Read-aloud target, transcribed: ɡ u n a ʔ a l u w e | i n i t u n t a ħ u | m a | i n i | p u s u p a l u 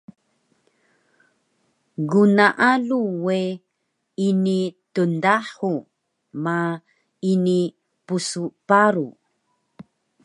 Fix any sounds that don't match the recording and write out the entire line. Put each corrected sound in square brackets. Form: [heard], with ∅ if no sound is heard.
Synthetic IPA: ɡ u n a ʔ a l u w e | i n i t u n [d] a ħ u | m a | i n i | p u s u p a [ɾ] u